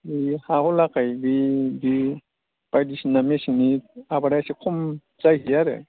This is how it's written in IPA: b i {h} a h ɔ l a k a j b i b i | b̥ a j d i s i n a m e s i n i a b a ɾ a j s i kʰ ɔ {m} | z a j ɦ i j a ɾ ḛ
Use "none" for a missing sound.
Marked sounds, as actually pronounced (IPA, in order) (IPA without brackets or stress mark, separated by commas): h, m